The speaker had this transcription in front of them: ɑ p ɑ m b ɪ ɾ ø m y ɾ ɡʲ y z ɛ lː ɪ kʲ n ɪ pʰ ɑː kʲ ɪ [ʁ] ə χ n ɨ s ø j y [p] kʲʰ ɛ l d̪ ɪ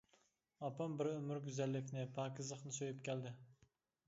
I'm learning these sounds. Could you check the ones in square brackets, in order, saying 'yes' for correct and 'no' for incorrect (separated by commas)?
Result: no, yes